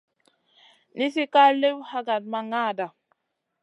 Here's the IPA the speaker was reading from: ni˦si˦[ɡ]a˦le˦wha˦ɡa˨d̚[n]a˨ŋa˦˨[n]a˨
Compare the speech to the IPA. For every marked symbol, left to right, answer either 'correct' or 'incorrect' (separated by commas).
incorrect, incorrect, incorrect